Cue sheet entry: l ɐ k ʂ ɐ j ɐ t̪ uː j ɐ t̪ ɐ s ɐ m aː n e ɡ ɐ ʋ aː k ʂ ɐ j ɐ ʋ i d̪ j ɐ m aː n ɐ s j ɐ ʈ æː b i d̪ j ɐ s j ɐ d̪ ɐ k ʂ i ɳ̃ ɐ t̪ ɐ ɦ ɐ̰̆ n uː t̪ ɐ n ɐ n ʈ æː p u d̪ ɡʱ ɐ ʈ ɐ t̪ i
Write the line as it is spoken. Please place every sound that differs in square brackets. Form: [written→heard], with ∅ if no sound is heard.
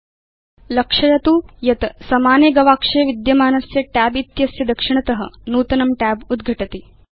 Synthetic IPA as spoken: l ɐ k ʂ ɐ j ɐ t̪ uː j ɐ t̪ ɐ s ɐ m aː n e ɡ ɐ ʋ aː k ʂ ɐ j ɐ ʋ i d̪ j ɐ m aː n ɐ s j ɐ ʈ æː b i [d̪→t̪] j ɐ s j ɐ d̪ ɐ k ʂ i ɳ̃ ɐ t̪ ɐ ɦ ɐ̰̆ n uː t̪ ɐ n ɐ [n→m] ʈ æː [p→b] u d̪ ɡʱ ɐ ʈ ɐ t̪ i